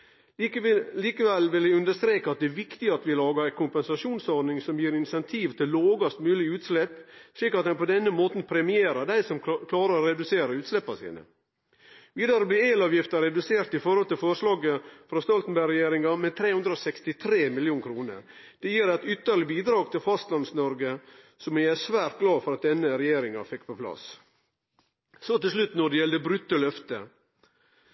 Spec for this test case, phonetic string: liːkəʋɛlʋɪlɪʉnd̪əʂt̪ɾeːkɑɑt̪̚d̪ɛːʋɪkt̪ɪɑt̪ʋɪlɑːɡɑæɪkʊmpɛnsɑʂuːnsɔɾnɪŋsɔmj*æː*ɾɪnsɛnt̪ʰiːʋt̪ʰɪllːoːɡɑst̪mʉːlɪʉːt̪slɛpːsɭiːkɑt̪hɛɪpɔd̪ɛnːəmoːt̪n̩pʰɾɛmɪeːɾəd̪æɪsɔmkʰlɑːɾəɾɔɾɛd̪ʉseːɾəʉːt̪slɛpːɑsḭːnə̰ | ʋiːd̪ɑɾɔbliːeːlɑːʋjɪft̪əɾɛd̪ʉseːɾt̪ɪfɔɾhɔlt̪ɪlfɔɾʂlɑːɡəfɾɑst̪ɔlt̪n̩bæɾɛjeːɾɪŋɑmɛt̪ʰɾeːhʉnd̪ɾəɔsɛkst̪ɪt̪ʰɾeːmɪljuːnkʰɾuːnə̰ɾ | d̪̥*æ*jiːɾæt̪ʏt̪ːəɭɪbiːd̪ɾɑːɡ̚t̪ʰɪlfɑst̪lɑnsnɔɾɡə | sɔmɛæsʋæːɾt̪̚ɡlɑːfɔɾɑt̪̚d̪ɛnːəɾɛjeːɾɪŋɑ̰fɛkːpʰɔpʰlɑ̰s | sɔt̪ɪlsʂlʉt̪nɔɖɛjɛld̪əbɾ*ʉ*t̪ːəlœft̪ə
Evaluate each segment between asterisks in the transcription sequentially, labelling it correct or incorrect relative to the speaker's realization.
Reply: incorrect, incorrect, correct

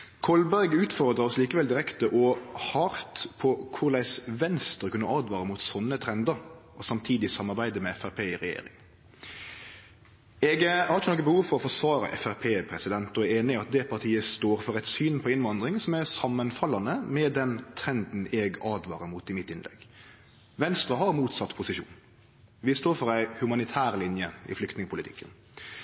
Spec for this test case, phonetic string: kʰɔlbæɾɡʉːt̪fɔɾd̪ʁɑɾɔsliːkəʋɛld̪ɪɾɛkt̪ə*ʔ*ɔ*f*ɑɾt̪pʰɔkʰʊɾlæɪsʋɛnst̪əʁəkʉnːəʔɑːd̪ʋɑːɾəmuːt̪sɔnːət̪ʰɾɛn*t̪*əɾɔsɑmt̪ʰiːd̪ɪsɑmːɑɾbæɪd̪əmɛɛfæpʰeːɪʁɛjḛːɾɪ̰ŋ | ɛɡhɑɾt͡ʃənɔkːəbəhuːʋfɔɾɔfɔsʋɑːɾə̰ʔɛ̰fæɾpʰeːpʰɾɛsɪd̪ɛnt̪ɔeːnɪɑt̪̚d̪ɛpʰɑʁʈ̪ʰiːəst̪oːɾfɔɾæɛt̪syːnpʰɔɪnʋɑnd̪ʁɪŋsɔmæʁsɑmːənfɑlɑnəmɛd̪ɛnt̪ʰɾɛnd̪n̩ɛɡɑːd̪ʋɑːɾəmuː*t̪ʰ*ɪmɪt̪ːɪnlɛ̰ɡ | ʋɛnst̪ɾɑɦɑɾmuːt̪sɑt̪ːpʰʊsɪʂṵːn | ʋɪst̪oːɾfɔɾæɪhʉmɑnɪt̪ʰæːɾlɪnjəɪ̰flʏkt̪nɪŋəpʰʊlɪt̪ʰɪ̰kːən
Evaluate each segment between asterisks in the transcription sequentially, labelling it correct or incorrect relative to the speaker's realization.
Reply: correct, incorrect, incorrect, incorrect

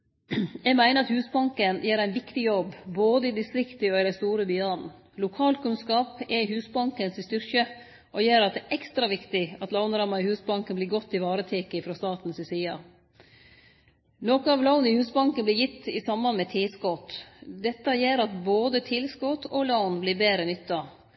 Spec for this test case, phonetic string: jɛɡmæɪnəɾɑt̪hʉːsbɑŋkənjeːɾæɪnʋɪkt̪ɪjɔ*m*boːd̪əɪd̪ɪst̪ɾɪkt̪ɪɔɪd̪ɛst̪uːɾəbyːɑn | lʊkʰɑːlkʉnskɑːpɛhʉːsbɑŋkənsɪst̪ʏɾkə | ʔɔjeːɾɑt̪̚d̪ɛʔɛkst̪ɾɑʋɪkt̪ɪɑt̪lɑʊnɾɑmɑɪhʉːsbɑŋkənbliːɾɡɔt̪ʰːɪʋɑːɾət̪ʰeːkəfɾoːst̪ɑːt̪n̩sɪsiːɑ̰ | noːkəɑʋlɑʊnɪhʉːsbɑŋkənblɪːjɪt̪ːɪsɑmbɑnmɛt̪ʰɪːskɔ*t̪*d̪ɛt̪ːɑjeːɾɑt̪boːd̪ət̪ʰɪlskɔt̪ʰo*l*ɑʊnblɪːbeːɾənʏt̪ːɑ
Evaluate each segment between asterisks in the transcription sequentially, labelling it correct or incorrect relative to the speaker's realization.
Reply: incorrect, correct, correct

